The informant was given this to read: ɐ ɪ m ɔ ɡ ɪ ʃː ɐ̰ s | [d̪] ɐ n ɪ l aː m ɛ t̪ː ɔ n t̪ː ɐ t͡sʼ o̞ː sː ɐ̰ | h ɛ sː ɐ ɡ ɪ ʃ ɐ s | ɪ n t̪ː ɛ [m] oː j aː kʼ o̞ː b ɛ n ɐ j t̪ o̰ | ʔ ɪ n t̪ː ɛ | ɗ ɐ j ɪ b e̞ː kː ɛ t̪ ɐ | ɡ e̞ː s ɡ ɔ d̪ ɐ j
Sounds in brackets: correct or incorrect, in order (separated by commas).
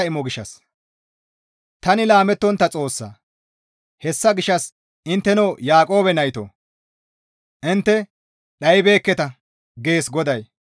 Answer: incorrect, incorrect